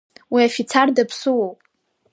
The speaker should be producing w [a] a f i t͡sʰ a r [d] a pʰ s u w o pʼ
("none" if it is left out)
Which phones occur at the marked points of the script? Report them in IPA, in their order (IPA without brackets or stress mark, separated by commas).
i, d